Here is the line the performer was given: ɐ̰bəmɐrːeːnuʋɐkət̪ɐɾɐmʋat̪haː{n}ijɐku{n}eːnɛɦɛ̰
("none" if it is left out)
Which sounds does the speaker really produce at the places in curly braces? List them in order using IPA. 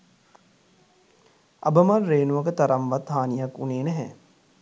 n, n

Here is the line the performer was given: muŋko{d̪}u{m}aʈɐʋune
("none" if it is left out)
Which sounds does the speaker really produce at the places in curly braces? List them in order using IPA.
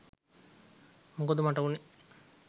d̪, m

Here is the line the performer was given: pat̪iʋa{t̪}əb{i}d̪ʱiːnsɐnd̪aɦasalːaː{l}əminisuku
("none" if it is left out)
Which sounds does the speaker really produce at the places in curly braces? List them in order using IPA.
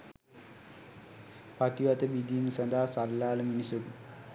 t̪, i, l

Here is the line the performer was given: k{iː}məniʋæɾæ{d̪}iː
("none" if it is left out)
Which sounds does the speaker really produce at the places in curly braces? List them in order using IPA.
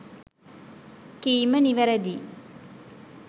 iː, d̪

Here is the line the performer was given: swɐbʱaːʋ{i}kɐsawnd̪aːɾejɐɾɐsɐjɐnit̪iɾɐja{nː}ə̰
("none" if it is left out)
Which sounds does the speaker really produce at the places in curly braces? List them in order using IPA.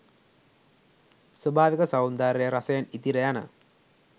i, n

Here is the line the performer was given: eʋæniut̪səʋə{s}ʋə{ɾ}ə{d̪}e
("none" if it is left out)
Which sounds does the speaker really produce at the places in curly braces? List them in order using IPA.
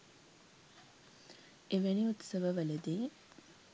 none, l, d̪

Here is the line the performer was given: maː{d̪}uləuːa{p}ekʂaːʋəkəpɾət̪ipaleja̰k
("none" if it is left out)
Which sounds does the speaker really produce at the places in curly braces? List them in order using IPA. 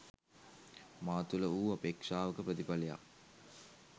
t̪, p

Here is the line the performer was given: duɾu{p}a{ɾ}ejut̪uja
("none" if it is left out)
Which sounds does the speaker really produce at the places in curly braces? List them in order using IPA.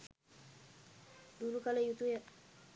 k, l

